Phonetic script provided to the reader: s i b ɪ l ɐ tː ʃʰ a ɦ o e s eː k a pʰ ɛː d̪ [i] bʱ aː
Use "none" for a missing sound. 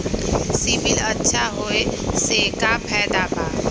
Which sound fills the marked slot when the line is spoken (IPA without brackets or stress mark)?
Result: a